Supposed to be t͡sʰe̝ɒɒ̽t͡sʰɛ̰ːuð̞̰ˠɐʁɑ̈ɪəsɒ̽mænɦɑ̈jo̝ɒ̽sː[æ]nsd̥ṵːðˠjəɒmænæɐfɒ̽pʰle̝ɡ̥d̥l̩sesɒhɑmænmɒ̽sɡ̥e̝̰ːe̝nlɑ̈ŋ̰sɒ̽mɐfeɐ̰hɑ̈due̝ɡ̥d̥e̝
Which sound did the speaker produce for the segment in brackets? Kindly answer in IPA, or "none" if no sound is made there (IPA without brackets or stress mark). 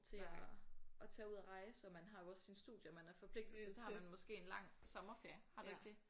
i